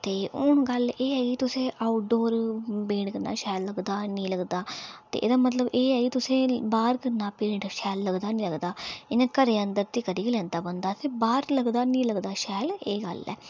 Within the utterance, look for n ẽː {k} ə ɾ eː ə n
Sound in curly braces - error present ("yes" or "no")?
no